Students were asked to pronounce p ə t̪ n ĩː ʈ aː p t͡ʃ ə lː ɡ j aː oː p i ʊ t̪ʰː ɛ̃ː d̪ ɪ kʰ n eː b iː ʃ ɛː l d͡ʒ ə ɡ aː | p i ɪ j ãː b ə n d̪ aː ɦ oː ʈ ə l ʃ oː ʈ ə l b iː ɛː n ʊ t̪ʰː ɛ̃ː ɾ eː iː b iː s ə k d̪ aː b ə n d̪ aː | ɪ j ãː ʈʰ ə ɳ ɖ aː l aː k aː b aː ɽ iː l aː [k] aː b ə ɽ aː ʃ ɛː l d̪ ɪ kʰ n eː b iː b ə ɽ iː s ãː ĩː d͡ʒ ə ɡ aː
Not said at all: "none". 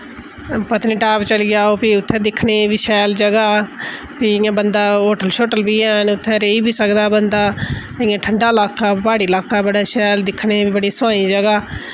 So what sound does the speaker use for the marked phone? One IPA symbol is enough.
k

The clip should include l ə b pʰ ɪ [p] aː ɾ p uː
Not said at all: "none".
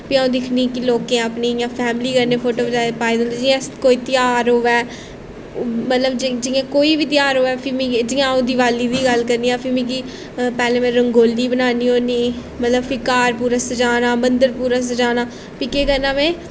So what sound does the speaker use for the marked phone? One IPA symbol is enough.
k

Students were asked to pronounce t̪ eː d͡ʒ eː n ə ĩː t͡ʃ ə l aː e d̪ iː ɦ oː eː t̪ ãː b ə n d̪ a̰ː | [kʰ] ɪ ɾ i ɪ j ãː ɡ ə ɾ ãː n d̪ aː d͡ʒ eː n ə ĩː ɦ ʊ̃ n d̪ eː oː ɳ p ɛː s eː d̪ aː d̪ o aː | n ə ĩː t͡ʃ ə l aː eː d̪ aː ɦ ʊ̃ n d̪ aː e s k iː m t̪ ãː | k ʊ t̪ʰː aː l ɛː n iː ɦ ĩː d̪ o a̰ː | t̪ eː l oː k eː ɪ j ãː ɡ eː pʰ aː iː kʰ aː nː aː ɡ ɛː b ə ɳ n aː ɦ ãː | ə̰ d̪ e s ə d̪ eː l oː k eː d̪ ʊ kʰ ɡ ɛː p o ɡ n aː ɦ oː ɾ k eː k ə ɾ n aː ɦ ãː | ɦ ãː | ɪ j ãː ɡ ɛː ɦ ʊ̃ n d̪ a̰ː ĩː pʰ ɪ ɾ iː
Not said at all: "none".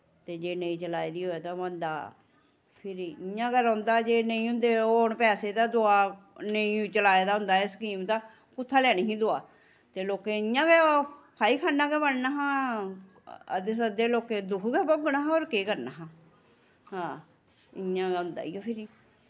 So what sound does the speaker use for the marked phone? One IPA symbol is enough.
pʰ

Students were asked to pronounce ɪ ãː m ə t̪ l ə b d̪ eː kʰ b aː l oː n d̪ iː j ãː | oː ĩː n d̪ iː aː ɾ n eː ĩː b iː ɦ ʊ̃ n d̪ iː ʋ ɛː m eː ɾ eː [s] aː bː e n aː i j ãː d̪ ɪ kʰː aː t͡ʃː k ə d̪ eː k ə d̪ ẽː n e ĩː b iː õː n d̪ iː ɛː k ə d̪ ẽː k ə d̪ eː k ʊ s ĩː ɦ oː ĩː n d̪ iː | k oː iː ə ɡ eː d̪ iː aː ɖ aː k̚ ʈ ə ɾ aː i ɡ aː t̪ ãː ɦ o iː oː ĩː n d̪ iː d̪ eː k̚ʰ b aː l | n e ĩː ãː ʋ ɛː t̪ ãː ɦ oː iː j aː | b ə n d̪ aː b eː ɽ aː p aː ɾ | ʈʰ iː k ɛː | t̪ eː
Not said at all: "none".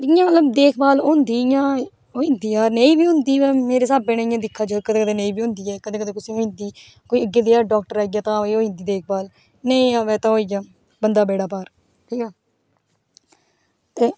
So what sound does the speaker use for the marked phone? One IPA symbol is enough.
s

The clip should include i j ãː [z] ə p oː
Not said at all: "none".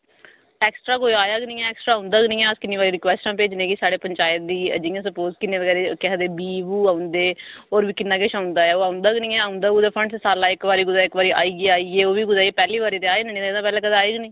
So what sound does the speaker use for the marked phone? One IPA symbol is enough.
s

